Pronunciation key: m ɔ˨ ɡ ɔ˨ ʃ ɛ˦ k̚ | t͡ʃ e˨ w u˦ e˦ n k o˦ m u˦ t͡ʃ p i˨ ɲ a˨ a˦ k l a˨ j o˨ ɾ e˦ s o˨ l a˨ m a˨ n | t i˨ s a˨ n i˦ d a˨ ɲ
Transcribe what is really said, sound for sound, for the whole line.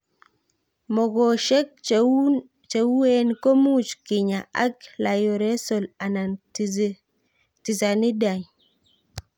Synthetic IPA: m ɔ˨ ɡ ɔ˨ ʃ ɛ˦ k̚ | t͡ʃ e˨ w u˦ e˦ n k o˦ m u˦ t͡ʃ k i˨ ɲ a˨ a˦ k l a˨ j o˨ ɾ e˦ s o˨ l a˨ n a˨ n | t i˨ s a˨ n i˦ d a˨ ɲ